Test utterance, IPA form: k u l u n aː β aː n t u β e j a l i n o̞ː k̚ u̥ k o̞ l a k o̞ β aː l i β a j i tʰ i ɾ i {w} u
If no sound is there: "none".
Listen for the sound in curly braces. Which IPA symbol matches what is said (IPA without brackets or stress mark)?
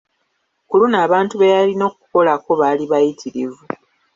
v